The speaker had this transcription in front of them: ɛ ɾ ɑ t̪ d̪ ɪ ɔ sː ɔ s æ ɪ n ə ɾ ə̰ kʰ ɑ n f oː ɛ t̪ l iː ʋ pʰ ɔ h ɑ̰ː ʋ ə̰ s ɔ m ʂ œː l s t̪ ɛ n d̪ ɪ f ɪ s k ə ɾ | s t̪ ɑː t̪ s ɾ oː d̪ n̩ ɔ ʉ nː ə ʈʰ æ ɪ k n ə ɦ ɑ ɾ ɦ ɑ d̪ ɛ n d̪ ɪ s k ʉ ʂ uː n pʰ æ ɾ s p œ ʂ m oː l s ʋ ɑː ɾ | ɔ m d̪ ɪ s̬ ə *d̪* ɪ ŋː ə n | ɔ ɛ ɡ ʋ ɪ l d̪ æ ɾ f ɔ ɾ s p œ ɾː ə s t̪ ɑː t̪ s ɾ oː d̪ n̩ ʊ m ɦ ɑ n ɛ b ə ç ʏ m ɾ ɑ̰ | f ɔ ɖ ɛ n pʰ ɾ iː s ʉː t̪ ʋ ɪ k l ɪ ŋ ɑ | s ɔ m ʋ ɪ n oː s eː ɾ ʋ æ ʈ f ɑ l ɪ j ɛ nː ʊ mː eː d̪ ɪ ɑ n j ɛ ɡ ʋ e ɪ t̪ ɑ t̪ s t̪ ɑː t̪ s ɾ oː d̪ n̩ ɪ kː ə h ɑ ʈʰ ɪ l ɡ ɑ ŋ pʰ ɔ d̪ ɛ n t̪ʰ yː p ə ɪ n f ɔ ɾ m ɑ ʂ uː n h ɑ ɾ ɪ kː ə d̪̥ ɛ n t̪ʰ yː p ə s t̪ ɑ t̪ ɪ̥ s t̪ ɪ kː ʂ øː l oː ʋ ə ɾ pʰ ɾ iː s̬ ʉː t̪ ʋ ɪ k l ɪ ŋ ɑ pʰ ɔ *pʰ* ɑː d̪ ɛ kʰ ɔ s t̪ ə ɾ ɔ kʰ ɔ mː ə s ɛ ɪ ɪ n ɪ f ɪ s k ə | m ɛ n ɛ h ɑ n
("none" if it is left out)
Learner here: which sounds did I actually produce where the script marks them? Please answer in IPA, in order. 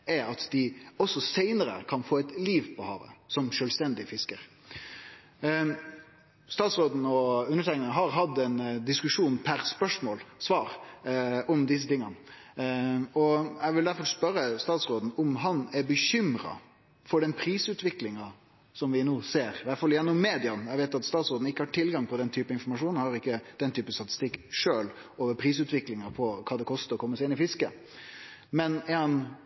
t̪, kʰ

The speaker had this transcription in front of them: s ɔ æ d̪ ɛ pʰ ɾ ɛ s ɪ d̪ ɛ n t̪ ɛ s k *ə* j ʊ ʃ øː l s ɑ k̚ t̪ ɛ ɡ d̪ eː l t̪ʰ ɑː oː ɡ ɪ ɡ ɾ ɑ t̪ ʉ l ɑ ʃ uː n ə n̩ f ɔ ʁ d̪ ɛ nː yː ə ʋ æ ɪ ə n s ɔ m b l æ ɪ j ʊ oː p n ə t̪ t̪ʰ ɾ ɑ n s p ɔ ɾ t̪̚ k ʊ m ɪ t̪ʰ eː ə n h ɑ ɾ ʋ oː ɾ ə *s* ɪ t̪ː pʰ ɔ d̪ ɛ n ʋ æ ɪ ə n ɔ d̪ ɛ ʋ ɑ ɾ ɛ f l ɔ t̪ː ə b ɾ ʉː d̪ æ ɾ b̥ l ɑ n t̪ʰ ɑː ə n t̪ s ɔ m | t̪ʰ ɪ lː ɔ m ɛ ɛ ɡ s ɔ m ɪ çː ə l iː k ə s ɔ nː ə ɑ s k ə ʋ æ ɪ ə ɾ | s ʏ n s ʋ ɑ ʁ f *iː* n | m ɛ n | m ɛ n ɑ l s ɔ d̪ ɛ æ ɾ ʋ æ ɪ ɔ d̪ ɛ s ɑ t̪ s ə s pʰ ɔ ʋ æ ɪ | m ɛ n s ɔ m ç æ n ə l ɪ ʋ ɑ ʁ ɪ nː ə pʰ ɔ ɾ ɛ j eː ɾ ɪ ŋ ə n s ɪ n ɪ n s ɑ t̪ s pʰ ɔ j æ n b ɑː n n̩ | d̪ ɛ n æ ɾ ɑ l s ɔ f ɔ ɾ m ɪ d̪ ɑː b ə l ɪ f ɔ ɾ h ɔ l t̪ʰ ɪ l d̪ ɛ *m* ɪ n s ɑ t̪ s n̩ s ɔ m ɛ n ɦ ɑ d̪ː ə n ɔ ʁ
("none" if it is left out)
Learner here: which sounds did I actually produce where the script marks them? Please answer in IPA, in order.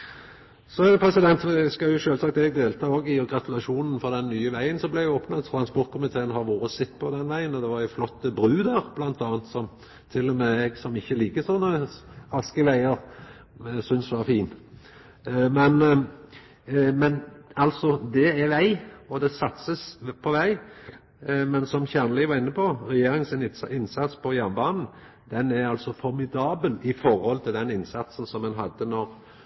ɑ, s, iː, n

